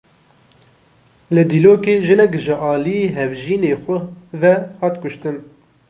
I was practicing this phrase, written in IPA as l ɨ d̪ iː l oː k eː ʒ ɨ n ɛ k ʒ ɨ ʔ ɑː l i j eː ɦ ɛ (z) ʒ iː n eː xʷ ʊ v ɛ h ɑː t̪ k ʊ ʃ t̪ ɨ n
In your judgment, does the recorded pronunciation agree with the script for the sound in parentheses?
no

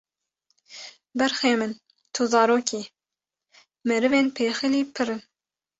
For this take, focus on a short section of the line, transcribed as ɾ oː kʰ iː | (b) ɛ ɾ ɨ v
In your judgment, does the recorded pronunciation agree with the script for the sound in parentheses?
no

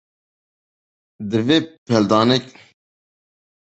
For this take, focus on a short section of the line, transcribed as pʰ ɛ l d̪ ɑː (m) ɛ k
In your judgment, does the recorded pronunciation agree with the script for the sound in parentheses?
no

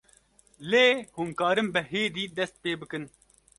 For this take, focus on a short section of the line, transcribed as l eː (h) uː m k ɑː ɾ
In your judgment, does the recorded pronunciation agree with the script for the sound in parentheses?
yes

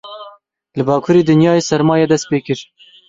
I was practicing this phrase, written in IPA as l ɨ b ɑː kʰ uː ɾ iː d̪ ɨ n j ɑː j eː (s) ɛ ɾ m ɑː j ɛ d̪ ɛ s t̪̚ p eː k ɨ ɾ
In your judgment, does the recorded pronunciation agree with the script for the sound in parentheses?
yes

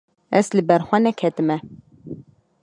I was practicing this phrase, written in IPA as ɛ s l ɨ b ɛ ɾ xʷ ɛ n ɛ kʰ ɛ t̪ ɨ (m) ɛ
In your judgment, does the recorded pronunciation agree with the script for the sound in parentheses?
yes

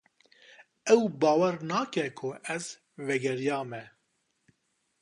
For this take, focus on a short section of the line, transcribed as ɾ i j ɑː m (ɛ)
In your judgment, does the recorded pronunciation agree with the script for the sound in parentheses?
yes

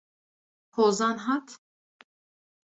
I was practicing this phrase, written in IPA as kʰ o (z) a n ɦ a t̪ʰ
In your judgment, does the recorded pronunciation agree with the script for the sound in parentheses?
yes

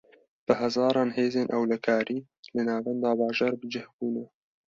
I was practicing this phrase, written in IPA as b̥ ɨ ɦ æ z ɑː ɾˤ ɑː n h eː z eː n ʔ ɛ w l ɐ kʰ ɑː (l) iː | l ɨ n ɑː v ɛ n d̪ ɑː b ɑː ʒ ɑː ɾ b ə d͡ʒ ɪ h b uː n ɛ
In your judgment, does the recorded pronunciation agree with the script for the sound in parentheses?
no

